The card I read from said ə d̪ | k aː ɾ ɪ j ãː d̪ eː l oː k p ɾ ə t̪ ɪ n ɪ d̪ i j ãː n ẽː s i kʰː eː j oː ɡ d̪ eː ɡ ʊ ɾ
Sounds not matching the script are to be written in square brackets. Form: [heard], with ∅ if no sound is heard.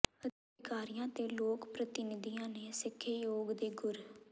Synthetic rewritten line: ə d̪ | k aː ɾ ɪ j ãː [t̪] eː l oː k p ɾ ə t̪ ɪ n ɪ d̪ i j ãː n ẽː s [ɪ] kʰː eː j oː ɡ d̪ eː ɡ ʊ ɾ